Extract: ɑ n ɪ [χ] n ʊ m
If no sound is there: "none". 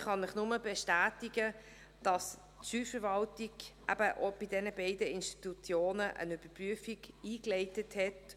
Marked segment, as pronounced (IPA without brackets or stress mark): χ